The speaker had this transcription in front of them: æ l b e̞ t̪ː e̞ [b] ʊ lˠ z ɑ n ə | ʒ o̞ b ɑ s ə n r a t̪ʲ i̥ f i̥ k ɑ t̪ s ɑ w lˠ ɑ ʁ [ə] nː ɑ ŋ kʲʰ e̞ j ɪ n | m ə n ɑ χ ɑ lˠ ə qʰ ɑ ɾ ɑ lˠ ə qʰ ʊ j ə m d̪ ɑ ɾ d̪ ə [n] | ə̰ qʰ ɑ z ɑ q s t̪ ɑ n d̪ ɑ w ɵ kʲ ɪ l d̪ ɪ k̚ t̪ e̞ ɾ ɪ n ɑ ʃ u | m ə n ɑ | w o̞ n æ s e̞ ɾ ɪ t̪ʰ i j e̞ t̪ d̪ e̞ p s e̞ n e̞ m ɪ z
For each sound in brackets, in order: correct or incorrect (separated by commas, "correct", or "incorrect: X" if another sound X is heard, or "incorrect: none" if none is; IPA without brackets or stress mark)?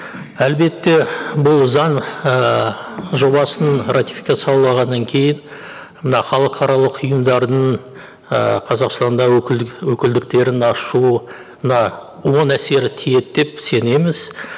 correct, incorrect: ɑ, incorrect: ɴ